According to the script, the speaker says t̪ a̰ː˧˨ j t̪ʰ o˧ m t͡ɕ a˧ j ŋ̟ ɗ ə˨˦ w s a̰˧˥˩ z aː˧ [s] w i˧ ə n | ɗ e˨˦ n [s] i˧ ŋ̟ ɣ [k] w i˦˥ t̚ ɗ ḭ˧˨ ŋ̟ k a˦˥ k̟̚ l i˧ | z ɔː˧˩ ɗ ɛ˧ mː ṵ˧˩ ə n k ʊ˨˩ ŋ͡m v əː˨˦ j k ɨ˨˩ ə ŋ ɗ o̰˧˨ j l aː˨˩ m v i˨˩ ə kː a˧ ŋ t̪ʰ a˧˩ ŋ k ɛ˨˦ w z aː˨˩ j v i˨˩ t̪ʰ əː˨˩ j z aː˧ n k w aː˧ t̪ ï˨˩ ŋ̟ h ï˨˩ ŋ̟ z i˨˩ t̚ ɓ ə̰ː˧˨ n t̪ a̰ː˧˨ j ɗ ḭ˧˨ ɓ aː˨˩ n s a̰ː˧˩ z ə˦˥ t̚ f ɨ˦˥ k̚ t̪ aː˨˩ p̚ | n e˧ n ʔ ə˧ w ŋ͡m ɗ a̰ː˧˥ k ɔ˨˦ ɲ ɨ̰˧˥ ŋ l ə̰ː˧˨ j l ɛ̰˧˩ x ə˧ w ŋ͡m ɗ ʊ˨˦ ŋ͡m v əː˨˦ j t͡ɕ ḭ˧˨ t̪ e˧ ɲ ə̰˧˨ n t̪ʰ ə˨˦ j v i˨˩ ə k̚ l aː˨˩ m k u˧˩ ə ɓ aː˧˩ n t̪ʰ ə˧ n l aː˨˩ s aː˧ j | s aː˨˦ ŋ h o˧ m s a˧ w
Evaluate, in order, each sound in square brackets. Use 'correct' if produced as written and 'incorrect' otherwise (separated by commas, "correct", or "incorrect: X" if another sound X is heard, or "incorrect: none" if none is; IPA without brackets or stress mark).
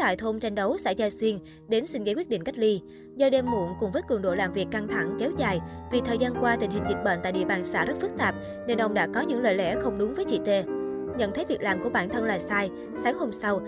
correct, correct, correct